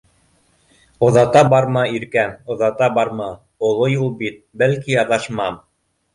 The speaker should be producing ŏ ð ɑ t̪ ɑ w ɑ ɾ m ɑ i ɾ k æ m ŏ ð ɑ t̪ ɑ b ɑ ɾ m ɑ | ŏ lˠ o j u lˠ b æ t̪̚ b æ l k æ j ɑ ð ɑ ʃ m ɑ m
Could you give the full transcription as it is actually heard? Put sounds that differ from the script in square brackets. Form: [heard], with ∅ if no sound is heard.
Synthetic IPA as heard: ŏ ð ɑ t̪ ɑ [b] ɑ ɾ m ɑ i ɾ k æ m ŏ ð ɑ t̪ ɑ b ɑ ɾ m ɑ | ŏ lˠ o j u lˠ b [i] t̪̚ b æ l k [i] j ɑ ð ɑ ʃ m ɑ m